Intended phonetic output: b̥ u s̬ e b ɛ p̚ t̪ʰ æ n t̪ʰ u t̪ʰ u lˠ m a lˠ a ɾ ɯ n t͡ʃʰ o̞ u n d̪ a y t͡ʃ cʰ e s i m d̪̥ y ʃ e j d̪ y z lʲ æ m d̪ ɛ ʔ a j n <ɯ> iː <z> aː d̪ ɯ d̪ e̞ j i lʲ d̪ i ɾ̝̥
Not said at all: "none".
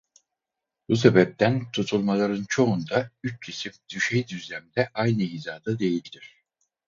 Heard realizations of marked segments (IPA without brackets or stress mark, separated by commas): ɯ, z